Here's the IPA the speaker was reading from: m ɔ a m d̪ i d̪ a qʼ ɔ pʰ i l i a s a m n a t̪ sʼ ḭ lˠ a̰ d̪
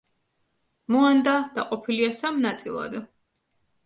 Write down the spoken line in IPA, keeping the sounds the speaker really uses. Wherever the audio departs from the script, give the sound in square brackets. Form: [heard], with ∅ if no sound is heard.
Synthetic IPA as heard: m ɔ a [n] d̪ [a] d̪ a qʼ ɔ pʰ i l i a s a m n a t̪ sʼ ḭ lˠ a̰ d̪